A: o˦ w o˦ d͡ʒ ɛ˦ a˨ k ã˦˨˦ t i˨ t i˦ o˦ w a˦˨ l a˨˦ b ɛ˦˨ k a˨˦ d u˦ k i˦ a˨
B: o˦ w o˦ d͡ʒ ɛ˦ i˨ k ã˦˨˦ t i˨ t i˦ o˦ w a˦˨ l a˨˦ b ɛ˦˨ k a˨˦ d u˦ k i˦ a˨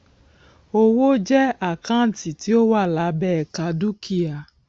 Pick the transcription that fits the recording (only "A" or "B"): A